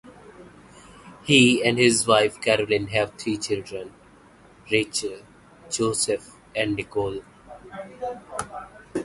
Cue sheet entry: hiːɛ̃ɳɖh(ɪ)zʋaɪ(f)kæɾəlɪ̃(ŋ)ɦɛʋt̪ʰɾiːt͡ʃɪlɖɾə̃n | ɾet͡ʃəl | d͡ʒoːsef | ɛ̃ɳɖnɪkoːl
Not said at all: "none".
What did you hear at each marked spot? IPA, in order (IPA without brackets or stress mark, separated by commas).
ɪ, f, n